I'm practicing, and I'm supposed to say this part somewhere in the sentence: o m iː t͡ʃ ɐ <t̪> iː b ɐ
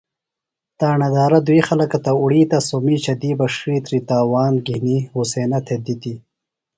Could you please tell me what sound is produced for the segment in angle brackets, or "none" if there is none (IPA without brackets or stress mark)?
d̪